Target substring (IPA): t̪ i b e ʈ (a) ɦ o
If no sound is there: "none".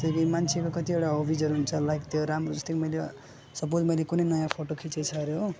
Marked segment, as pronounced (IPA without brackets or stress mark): a